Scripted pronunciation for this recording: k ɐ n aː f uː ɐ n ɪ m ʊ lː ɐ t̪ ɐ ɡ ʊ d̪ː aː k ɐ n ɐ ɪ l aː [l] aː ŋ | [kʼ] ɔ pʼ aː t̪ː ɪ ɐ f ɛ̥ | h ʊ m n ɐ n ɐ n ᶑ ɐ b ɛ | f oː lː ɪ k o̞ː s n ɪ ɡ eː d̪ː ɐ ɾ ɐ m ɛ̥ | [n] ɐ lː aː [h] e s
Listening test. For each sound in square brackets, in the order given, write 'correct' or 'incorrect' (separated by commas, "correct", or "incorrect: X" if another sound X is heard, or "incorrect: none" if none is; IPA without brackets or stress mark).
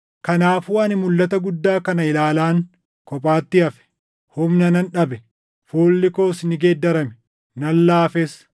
correct, incorrect: k, correct, incorrect: f